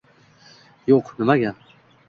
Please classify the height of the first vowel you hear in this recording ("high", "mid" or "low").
mid